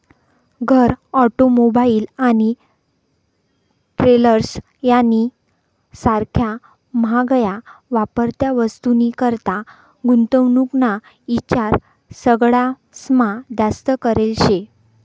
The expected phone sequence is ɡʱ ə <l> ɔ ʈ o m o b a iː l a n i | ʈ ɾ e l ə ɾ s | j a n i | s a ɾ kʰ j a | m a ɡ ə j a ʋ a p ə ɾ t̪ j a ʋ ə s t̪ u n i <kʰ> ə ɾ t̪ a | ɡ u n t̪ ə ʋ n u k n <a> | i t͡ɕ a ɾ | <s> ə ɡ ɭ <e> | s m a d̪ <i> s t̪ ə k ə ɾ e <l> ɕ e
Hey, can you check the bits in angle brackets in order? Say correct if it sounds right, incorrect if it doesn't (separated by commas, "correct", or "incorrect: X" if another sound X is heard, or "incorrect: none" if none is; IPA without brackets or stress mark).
incorrect: ɾ, incorrect: k, correct, correct, incorrect: a, incorrect: a, correct